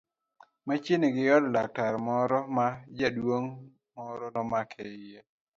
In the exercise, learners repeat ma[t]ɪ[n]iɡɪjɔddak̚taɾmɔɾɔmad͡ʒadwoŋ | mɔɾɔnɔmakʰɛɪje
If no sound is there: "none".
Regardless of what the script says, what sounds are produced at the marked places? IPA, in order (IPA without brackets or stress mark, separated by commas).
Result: t͡ʃ, n